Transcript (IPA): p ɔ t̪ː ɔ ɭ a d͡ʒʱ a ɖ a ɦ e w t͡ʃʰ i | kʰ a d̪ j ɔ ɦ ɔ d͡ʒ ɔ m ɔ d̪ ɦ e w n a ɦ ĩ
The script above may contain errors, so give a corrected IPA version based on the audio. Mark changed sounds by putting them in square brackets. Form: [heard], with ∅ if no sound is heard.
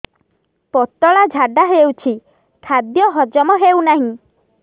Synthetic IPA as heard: p ɔ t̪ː ɔ ɭ a d͡ʒʱ a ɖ a ɦ e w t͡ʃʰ i | kʰ a d̪ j ɔ ɦ ɔ d͡ʒ ɔ m ɔ [∅] ɦ e w n a ɦ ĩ